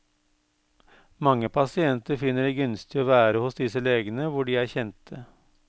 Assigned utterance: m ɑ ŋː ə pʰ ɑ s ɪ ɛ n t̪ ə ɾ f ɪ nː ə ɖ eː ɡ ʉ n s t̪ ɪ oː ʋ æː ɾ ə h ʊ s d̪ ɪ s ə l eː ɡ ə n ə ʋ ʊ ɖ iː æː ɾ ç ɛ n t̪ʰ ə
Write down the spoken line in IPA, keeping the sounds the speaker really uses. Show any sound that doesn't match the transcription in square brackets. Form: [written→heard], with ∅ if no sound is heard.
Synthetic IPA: m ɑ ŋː ə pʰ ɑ s ɪ ɛ n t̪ ə ɾ f ɪ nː ə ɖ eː ɡ ʉ n s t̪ ɪ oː ʋ æː ɾ ə h ʊ s d̪ ɪ s ə l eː ɡ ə n ə ʋ ʊ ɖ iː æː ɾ ç ɛ n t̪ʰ ə